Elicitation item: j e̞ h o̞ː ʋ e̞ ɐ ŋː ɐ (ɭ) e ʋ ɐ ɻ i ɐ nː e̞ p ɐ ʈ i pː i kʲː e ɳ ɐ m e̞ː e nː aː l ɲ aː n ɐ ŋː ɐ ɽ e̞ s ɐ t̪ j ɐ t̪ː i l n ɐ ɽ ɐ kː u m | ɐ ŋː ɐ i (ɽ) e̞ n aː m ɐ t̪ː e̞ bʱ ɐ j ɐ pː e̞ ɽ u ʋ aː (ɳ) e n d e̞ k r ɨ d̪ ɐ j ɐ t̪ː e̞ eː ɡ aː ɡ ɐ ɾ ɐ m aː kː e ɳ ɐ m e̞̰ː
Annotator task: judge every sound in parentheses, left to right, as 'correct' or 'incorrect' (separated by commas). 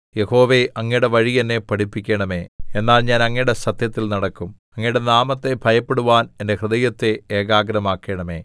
incorrect, correct, incorrect